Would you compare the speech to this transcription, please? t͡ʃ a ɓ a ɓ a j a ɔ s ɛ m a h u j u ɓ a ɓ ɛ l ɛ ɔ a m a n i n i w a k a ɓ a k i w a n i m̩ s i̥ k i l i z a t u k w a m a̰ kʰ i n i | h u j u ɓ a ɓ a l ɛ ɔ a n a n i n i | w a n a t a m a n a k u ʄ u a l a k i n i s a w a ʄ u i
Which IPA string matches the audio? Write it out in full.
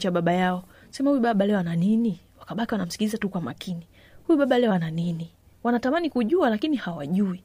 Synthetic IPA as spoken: t͡ʃ a ɓ a ɓ a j a ɔ s ɛ m a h u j u ɓ a ɓ a l ɛ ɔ a n a n i n i w a k a ɓ a k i w a n a m̩ s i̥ k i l i z a t u k w a m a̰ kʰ i n i | h u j u ɓ a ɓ a l ɛ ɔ a n a n i n i | w a n a t a m a n i k u ʄ u a l a k i n i h a w a ʄ u i